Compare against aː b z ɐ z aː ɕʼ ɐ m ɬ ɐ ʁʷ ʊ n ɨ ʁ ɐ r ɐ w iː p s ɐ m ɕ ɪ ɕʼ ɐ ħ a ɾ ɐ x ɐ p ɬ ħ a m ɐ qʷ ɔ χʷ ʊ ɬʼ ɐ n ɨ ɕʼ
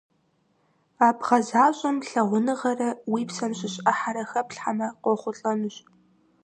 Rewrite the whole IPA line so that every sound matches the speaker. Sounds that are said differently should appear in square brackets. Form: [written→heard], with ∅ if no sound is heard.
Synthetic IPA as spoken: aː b [z→ʁ] ɐ z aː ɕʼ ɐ m ɬ ɐ ʁʷ ʊ n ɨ ʁ ɐ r ɐ w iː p s ɐ m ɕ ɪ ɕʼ ɐ ħ a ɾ ɐ x ɐ p ɬ ħ a m ɐ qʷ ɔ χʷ ʊ ɬʼ ɐ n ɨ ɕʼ